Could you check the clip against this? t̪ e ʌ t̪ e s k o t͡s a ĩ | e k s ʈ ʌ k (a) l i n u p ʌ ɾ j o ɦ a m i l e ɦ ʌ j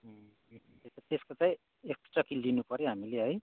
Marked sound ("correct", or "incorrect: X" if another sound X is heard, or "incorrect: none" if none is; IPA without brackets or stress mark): incorrect: i